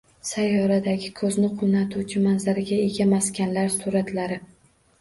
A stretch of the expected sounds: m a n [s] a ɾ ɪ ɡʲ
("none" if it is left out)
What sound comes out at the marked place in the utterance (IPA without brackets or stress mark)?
z